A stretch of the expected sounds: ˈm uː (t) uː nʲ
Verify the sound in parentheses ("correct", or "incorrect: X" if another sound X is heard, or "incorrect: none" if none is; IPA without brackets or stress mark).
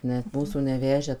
incorrect: s